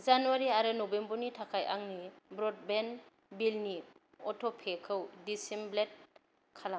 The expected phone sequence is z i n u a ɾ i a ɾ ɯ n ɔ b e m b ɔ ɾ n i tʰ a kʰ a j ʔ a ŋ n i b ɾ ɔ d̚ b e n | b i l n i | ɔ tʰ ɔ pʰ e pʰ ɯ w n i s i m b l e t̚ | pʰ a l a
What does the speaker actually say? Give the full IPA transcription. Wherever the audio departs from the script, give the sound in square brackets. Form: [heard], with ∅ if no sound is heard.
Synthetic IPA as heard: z [a] n u a ɾ i a ɾ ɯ n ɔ b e m b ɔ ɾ n i tʰ a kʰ a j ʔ a ŋ n i b ɾ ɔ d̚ b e n | b i l n i | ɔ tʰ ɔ pʰ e [kʰ] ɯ w [d] i s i m b l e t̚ | [kʰ] a l a

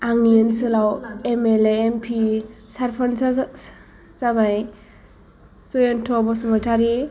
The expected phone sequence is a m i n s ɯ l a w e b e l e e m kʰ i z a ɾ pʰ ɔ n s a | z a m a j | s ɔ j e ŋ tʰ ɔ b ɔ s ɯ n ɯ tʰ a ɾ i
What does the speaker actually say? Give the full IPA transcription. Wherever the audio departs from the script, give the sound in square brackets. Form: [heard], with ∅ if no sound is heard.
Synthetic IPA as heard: a [ŋ] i n s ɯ l a w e [m] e l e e m [pʰ] i [s] a ɾ pʰ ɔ n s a | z a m a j | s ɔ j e [n] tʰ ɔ b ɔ s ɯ [m] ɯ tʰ a ɾ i

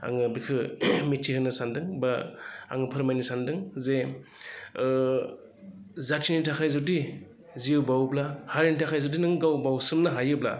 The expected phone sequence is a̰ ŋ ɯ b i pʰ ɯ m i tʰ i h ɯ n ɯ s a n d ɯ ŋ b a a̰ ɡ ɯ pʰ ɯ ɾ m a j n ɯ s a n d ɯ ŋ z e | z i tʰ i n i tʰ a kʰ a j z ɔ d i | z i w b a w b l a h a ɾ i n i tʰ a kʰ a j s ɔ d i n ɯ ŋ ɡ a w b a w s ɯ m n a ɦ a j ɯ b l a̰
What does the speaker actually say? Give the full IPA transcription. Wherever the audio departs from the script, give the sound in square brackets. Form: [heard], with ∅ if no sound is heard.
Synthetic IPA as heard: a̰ ŋ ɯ b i [kʰ] ɯ m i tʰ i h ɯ n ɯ s a n d ɯ ŋ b a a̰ [ŋ] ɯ pʰ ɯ ɾ m a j n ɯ s a n d ɯ ŋ z e | z [a] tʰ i n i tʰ a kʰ a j z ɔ d i | z i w b a w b l a h a ɾ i n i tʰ a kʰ a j [z] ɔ d i n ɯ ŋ ɡ a w b a w s ɯ m n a ɦ a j ɯ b l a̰

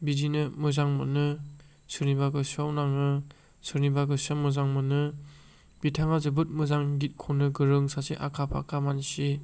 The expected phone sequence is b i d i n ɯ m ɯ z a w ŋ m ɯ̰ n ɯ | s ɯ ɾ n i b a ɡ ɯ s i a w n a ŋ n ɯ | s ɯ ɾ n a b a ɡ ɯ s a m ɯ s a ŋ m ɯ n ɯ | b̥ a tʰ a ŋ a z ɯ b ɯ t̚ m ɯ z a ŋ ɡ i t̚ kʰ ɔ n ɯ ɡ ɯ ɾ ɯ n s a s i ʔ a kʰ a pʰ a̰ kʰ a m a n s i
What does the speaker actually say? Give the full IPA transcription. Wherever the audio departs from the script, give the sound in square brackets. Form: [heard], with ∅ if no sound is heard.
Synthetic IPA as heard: b i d i n ɯ m ɯ z a [∅] ŋ m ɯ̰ n ɯ | s ɯ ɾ n i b a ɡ ɯ s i a w n a ŋ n ɯ | s ɯ ɾ n [i] b a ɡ ɯ s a m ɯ [z] a ŋ m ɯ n ɯ | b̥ [i] tʰ a ŋ a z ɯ b ɯ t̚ m ɯ z a ŋ ɡ i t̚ kʰ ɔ n ɯ ɡ ɯ ɾ ɯ [ŋ] s a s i ʔ a kʰ a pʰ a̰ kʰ a m a n s i

